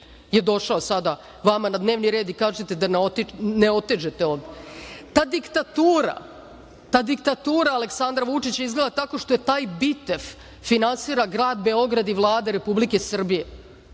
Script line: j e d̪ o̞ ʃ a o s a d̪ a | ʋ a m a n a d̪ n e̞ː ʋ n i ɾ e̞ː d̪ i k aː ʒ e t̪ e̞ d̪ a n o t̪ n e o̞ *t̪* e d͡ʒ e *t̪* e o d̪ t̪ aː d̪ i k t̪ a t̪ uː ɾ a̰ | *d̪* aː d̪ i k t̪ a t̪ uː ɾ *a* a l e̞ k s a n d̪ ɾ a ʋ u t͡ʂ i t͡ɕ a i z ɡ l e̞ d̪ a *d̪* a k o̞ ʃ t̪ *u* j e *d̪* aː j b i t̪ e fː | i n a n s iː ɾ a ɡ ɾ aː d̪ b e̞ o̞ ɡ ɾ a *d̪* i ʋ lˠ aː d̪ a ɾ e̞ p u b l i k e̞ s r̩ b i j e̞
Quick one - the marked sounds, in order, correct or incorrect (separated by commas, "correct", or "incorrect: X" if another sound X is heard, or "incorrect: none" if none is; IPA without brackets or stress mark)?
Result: correct, correct, incorrect: t̪, correct, incorrect: t̪, incorrect: o, incorrect: t̪, correct